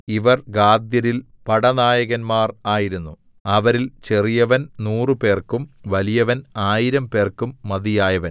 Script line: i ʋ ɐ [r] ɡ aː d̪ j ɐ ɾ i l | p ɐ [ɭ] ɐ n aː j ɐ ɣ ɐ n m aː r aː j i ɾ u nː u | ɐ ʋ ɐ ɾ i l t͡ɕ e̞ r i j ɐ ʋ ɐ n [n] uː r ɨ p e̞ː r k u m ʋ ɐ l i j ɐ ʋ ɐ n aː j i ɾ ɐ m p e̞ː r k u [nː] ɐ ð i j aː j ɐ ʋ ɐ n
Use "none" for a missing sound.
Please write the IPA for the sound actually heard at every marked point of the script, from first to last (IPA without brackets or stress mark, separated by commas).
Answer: r, ɽ, n, mː